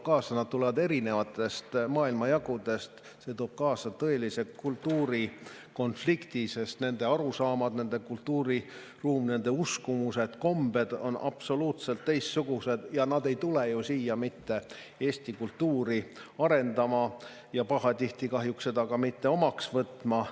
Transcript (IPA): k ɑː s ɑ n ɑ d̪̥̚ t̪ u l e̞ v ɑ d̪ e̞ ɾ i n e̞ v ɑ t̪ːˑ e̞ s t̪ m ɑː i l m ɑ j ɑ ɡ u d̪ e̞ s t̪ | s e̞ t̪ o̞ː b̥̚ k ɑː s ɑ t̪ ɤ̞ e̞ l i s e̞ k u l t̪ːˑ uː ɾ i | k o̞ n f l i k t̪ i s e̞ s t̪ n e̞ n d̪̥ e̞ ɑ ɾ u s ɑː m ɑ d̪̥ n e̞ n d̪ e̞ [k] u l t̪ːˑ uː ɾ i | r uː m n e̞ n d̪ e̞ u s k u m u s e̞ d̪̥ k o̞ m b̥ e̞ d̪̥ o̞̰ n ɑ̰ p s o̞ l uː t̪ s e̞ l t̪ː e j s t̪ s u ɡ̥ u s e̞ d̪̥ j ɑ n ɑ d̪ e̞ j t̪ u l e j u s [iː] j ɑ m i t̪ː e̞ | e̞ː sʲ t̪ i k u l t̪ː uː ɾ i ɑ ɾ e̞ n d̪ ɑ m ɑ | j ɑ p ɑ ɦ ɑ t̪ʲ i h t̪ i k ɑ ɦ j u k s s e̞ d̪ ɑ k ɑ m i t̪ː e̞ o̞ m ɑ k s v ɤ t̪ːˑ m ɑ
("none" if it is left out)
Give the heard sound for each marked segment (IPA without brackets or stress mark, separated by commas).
k, iː